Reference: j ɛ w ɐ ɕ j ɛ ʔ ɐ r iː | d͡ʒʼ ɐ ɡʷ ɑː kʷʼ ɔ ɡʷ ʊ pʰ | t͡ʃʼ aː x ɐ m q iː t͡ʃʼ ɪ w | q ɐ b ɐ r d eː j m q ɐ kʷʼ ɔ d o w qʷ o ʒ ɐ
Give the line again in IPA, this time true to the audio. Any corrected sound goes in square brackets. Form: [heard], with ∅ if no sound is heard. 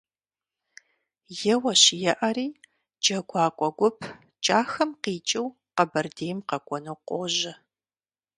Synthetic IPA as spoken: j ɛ w ɐ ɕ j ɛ ʔ ɐ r iː | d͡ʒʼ ɐ ɡʷ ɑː kʷʼ ɔ ɡʷ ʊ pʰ | t͡ʃʼ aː x ɐ m q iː t͡ʃʼ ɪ w | q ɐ b ɐ r d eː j m q ɐ kʷʼ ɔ [n] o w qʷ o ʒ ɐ

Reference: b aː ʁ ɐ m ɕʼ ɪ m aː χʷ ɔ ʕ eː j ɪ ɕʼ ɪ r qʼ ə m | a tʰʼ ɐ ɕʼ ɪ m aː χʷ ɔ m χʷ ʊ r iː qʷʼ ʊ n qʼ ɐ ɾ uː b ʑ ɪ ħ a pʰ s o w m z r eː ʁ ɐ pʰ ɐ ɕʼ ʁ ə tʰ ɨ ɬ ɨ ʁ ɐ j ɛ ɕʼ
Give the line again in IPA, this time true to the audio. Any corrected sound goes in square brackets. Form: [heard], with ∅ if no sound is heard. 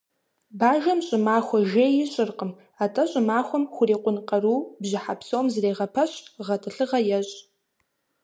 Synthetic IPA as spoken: b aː [ʒ] ɐ m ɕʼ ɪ m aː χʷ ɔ [ʒ] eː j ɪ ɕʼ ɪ r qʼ ə m | a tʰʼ ɐ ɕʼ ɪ m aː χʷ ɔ m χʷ ʊ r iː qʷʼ ʊ n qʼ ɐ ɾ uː b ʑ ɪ ħ a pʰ s o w m z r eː ʁ ɐ pʰ ɐ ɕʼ ʁ [ɐ] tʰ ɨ ɬ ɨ ʁ ɐ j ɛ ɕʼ

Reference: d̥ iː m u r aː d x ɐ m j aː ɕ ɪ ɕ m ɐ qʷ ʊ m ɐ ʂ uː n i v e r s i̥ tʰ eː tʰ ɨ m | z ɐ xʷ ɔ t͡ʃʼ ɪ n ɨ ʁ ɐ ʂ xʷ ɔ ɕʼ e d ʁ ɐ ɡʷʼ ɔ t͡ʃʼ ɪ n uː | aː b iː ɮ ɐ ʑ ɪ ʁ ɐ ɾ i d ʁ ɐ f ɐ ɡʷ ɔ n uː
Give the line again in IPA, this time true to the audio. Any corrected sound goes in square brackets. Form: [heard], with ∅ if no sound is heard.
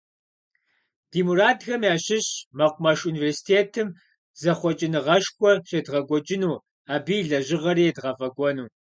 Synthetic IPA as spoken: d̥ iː m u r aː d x ɐ m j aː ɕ ɪ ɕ m ɐ qʷ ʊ m ɐ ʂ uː n i v e r s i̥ tʰ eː tʰ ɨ m | z ɐ [χʷ] ɔ t͡ʃʼ ɪ n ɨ ʁ ɐ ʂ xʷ ɔ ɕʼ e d ʁ ɐ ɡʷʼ ɔ t͡ʃʼ ɪ n uː | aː b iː ɮ ɐ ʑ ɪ ʁ ɐ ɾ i d ʁ ɐ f ɐ ɡʷ ɔ n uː

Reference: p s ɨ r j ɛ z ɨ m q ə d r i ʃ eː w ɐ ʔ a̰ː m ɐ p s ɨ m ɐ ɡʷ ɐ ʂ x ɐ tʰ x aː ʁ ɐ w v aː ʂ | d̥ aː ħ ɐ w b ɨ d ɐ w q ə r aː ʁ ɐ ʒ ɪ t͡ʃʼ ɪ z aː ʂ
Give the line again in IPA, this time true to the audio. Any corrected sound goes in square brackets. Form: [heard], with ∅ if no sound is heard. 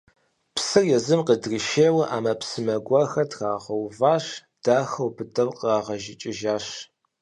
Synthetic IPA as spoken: p s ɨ r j ɛ z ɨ m q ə d r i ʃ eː w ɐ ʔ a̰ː m ɐ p s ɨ m ɐ ɡʷ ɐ [∅] x ɐ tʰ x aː ʁ ɐ w v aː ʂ | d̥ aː [x] ɐ w b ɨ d ɐ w q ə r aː ʁ ɐ ʒ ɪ t͡ʃʼ ɪ [ʒ] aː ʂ

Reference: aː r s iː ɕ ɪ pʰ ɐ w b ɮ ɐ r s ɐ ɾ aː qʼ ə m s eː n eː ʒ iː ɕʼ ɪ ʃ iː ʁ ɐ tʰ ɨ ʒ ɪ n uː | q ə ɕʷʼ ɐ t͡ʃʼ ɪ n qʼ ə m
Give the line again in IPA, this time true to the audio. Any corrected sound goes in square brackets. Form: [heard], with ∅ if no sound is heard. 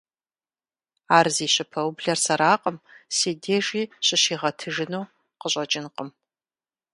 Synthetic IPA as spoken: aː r [z] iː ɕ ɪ pʰ ɐ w b ɮ ɐ r s ɐ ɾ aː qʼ ə m s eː [d] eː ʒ iː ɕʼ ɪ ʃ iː ʁ ɐ tʰ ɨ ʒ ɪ n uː | q ə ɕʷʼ ɐ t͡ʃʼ ɪ n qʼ ə m

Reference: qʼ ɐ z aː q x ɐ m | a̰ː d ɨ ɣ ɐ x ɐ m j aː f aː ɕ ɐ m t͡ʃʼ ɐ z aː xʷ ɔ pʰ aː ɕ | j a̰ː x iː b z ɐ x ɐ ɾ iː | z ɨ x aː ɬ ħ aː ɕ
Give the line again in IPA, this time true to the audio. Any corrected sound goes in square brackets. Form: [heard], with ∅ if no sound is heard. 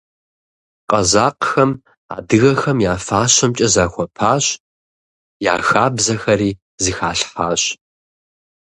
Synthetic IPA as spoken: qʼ ɐ z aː q x ɐ m | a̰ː d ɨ ɣ ɐ x ɐ m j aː f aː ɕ ɐ m t͡ʃʼ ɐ z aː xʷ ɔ pʰ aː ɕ | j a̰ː x [aː] b z ɐ x ɐ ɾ iː | z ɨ x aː ɬ ħ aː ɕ

